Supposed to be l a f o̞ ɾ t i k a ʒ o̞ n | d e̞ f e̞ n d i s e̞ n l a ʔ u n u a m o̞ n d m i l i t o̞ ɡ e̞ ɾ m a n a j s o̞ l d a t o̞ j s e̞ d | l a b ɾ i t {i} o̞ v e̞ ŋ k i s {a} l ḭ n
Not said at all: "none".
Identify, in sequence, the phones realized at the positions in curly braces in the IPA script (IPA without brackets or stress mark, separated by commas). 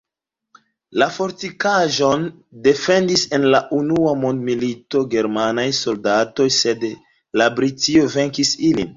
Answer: i, i